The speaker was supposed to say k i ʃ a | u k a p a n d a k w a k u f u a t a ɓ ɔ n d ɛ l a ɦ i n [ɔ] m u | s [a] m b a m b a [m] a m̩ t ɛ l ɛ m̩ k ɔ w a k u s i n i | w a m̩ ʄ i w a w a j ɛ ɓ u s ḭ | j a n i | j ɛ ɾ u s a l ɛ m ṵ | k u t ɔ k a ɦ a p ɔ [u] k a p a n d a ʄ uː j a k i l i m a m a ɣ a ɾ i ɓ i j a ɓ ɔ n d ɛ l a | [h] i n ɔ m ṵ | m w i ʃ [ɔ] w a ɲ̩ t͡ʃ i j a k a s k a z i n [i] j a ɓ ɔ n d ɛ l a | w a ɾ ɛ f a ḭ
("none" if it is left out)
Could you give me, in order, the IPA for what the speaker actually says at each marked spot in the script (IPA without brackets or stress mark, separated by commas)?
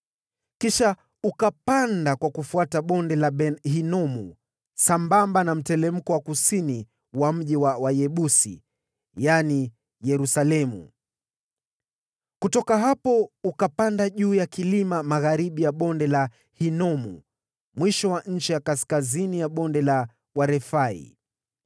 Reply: ɔ, a, n, u, h, ɔ, i